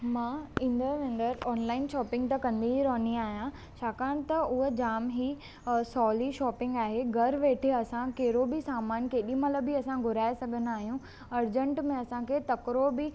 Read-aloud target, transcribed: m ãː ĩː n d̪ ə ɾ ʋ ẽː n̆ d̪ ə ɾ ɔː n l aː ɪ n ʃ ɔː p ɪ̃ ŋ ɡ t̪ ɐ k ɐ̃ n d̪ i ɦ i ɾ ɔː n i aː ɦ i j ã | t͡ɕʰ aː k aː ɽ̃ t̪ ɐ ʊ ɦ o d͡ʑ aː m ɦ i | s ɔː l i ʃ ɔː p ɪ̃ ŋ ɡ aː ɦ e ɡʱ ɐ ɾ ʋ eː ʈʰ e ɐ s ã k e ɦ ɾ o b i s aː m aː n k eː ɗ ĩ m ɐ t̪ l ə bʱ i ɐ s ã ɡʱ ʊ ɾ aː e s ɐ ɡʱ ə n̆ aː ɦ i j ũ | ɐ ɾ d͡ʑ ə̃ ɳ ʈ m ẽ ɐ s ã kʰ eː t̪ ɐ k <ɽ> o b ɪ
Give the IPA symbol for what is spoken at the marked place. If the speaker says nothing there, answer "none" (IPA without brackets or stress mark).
ɾ